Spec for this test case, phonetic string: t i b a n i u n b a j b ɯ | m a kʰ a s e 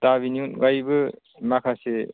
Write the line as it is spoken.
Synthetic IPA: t a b i n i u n ɡ a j b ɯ | m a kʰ a s e